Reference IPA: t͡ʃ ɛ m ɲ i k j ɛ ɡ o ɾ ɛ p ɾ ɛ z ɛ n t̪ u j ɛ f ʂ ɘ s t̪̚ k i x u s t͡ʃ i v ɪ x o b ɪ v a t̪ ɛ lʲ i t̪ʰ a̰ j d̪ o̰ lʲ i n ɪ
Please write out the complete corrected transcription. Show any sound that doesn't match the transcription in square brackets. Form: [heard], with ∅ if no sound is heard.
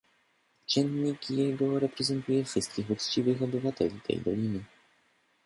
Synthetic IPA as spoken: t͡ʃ ɛ [n] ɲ i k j ɛ ɡ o ɾ ɛ p ɾ ɛ z ɛ n t̪ u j ɛ f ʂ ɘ s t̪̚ k i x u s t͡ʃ i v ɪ x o b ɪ v a t̪ ɛ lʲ i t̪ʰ [ɛ̰] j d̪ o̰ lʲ i n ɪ